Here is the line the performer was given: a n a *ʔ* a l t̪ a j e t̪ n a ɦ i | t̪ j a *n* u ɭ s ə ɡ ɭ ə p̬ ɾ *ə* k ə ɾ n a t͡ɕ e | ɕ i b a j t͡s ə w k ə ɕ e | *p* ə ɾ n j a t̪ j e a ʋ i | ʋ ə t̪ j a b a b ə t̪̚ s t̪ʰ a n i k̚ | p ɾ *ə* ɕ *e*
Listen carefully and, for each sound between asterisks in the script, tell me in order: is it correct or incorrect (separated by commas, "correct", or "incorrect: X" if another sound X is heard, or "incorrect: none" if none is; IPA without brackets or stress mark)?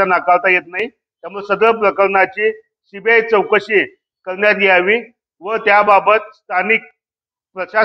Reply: incorrect: k, incorrect: m, correct, incorrect: k, correct, incorrect: a